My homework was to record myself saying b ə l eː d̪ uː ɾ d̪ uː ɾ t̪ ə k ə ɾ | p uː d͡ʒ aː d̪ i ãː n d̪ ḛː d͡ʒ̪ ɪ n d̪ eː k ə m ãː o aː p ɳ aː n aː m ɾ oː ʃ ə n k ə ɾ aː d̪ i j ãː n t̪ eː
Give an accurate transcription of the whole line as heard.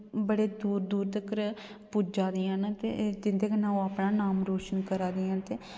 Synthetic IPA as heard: b ə ɽ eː d̪ uː ɾ d̪ uː ɾ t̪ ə k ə ɾ | p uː d͡ʒ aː d̪ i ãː n t̪ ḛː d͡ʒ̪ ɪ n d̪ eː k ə n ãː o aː p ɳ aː n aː m ɾ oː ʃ ə n k ə ɾ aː d̪ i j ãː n t̪ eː